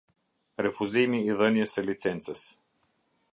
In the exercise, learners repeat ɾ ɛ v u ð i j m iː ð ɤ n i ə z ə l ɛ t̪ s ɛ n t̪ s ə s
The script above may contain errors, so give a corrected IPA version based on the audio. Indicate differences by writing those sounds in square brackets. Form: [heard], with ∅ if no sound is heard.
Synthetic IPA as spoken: ɾ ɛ [f] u [z] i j m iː ð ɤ n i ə [s] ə l [i] t̪ s ɛ n t̪ s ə s